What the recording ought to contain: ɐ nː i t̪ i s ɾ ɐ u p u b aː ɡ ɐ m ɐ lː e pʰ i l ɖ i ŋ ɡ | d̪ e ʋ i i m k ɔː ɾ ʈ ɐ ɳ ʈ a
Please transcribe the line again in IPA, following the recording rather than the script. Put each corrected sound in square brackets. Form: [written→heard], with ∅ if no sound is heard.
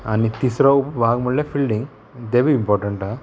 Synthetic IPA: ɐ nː i t̪ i s ɾ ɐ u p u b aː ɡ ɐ m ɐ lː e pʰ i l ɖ i ŋ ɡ | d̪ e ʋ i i m [k→p] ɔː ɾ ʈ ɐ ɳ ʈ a